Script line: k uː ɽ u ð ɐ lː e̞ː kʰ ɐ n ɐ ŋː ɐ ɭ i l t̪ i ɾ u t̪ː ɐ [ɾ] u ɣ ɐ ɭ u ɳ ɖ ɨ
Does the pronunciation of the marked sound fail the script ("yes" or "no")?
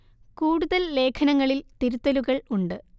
yes